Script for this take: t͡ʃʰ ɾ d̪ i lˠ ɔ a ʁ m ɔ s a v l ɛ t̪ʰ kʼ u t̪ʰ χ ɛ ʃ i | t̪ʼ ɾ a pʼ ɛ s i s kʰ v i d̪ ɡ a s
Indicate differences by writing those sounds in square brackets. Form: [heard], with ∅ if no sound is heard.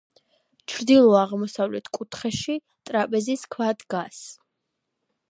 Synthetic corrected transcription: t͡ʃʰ ɾ d̪ i lˠ ɔ a ʁ m ɔ s a v l ɛ t̪ʰ kʼ u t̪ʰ χ ɛ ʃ i | t̪ʼ ɾ a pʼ ɛ [z] i s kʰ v [a] d̪ ɡ a s